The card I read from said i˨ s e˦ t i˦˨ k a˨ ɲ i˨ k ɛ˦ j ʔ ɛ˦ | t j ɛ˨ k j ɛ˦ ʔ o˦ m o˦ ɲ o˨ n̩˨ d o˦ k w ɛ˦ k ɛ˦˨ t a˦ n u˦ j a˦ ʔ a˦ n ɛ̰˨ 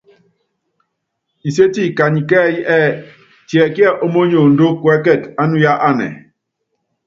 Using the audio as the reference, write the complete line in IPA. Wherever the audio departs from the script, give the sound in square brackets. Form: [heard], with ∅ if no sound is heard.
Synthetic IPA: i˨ s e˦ t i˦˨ k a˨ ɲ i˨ k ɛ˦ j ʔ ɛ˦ | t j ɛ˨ k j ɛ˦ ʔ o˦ m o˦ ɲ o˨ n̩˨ d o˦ k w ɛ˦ k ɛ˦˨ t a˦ n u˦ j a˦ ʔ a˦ n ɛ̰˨